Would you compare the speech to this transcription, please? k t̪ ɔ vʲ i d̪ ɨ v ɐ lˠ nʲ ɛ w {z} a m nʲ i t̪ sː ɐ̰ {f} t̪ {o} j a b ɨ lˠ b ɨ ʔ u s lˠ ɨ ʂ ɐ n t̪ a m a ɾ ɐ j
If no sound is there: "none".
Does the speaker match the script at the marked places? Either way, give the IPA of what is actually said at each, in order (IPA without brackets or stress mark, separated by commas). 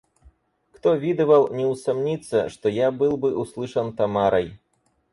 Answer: s, ʂ, ɔ